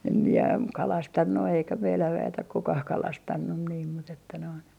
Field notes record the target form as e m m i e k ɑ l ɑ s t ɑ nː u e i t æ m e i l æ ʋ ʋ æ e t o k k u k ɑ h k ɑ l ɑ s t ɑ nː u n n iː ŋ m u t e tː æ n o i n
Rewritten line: e m m i e k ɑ l ɑ s t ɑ nː u e i k æ m e i l æ ʋ ʋ æ e t o k k u k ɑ h k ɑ l ɑ s t ɑ nː u n n iː m m u t e tː æ n o i n

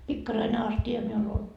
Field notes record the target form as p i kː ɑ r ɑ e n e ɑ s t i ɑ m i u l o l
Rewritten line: p i kː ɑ r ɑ i n e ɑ s t i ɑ m i u l o l

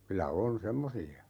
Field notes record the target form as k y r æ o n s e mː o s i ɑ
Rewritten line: k y l æ o n s e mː o s i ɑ

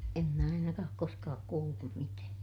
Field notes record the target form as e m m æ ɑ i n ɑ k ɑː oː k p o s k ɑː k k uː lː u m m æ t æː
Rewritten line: e m m æ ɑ i n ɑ k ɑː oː k k o s k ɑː k k uː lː u m m i t æː

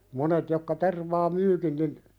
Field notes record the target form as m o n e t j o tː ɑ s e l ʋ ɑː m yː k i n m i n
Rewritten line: m o n e t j o kː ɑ t e r ʋ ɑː m yː k i n n i n

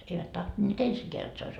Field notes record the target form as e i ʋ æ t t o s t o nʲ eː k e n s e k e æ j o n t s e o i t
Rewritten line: e i ʋ æ t t o h t o nʲ eː t e n s i k e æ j o t s e o i s

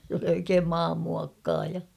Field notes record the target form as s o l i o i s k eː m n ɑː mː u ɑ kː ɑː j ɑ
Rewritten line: s o l i o i k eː m m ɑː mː u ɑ kː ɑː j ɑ

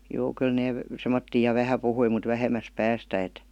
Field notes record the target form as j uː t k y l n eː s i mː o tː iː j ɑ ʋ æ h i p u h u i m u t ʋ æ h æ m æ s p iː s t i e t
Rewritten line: j uː k y l n eː s e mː o tː iː j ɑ ʋ æ h æ p u h u i m u t ʋ æ h e m æ s p æː s t æ e t

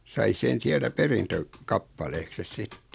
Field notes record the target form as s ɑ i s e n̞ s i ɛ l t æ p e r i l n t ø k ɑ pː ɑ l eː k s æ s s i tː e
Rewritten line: s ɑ i s e n̞ s i æ l t æ p e r i n t ø k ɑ pː ɑ l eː k s e s s i tː e

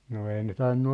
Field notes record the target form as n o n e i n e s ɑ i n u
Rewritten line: n o e i n e t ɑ i nː u

